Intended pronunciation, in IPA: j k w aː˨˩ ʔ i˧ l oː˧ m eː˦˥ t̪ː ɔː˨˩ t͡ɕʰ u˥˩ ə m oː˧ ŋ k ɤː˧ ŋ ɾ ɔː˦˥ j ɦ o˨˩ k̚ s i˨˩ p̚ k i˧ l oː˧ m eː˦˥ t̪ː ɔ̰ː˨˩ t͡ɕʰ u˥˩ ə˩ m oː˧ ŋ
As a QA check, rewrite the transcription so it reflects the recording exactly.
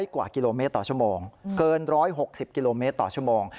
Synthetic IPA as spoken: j k w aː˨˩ k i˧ l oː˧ m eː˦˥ t̪ː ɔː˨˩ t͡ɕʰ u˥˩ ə m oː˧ ŋ k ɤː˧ n ɾ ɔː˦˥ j ɦ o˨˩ k̚ s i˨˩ p̚ k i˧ l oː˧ m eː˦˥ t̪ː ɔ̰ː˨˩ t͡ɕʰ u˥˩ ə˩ m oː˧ ŋ

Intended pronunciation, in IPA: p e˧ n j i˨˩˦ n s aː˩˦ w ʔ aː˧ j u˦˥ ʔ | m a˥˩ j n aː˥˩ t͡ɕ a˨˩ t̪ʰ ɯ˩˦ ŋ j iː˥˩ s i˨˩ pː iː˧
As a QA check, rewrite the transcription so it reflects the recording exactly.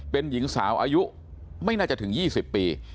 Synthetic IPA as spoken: p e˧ n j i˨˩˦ ŋ s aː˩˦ w ʔ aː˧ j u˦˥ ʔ | m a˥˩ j n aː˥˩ t͡ɕ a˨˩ t̪ʰ ɯ˩˦ ŋ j iː˥˩ s i˨˩ pː iː˧

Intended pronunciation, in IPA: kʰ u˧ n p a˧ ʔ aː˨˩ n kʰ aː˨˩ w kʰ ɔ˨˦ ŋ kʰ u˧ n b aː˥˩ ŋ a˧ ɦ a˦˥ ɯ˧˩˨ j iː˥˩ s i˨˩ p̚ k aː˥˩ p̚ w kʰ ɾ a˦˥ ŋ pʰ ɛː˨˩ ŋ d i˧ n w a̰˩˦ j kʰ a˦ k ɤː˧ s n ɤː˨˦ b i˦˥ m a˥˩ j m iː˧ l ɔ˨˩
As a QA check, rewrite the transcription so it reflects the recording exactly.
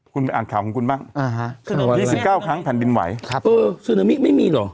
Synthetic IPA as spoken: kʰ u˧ n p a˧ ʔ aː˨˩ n kʰ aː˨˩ w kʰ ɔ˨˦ ŋ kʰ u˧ n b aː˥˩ ŋ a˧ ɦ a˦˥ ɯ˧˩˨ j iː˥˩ s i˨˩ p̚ k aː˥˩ w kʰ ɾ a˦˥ ŋ pʰ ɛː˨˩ n d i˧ n w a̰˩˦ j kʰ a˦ ʔ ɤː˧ s n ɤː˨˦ m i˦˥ m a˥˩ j m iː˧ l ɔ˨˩

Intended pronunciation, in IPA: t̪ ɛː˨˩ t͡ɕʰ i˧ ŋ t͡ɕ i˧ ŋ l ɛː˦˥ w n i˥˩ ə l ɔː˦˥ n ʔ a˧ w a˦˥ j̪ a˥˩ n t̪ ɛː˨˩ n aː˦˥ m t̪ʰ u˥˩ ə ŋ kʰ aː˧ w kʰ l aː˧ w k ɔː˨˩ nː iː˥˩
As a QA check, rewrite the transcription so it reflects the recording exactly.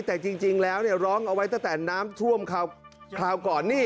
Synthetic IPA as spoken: t̪ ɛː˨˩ t͡ɕ i˧ ŋ t͡ɕ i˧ ŋ l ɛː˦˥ w n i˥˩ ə ɾ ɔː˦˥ ŋ ʔ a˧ w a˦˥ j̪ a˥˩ ŋ t̪ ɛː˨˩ n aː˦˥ m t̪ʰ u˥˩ ə m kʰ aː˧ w kʰ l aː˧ w k ɔː˨˩ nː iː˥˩

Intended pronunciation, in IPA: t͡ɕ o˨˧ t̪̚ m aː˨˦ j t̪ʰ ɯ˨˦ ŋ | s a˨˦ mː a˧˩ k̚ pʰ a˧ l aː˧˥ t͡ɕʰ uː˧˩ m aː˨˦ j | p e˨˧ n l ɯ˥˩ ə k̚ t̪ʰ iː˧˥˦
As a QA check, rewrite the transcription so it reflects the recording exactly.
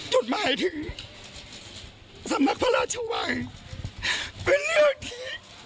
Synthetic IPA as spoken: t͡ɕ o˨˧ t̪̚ m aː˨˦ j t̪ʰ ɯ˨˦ ŋ | s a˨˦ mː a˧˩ k̚ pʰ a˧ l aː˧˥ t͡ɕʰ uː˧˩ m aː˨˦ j | p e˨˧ n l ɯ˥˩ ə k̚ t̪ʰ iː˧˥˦

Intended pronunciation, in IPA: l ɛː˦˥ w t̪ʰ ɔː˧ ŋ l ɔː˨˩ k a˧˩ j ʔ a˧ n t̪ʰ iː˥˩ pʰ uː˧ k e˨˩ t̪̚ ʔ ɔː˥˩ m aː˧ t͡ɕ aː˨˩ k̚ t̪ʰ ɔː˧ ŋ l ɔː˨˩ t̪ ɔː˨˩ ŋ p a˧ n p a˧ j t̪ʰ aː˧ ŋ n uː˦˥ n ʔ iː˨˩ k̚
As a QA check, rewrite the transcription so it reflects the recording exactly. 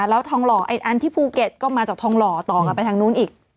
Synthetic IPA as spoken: l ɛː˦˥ w t̪ʰ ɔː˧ ŋ l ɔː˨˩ ʔ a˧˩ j ʔ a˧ n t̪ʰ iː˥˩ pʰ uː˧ k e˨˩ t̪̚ k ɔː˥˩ m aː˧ t͡ɕ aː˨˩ k̚ t̪ʰ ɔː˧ ŋ l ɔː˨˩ t̪ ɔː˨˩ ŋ k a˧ n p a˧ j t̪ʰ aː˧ ŋ n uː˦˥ n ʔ iː˨˩ k̚

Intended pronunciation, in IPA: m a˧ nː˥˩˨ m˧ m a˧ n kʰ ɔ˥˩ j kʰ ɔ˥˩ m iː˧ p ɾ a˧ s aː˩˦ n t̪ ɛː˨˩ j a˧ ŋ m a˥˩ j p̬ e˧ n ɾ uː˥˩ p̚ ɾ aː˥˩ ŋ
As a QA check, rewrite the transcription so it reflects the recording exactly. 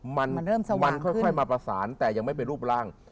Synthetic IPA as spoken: m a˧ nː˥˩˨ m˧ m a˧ n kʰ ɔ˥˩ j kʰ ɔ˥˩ m aː˧ p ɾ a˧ s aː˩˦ n t̪ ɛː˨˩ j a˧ ŋ m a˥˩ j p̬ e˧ n ɾ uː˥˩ p̚ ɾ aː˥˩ ŋ

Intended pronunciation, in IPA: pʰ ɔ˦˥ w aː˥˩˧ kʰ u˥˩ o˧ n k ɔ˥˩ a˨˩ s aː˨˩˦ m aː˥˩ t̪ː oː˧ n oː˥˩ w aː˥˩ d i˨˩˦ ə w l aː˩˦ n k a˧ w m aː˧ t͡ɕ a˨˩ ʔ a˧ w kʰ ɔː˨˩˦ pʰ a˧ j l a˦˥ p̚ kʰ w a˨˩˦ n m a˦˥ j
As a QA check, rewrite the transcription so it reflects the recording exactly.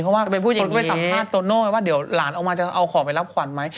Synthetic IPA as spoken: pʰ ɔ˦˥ w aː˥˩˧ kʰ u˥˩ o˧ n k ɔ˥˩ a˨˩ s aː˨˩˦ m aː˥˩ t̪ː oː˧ n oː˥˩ w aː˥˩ d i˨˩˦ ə w l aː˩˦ n ʔ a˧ w m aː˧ t͡ɕ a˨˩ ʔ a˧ w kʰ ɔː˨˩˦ p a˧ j l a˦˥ p̚ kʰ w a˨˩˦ n m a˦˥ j

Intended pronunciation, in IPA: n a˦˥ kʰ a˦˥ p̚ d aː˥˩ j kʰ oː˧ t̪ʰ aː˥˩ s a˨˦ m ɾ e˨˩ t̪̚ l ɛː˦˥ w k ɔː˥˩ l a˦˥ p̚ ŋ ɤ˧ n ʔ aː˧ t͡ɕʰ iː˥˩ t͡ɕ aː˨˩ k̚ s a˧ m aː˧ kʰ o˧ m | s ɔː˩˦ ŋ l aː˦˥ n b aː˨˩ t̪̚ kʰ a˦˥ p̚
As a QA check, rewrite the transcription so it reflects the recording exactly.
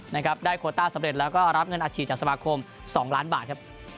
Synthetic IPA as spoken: n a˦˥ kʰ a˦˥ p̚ d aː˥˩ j kʰ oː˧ t̪ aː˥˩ s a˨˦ m ɾ e˨˩ t̪̚ l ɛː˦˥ w k ɔː˥˩ ɾ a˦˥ p̚ ŋ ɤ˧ n ʔ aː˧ t͡ɕʰ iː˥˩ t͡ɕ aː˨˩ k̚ s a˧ m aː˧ kʰ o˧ m | s ɔː˩˦ ŋ l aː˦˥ n b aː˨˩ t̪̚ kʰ a˦˥ p̚

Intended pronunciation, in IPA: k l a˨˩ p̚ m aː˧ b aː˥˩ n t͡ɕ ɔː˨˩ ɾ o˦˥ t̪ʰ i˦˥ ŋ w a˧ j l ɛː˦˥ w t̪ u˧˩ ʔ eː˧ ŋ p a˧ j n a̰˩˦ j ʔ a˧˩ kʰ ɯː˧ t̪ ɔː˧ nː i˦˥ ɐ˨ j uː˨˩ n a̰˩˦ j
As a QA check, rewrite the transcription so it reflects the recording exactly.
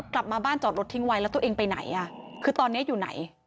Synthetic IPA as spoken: k l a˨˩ p̚ m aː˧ b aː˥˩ n t͡ɕ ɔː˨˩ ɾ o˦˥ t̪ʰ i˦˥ ŋ w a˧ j l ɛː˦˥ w t̪ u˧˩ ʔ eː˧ ŋ p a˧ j n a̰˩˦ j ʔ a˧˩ kʰ ɯː˧ t̪ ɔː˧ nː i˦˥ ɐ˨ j uː˨˩ n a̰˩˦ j

